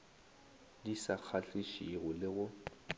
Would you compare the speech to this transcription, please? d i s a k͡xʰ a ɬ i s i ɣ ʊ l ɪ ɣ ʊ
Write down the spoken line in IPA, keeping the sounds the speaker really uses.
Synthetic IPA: d i s a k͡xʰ a ɬ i ʃ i ɣ ʊ l ɪ ɣ ʊ